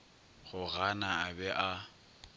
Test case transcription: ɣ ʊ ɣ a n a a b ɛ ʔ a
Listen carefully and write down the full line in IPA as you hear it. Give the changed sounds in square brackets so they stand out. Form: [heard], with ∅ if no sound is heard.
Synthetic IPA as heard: ɣ ʊ ɣ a n a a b ɛ ʔ a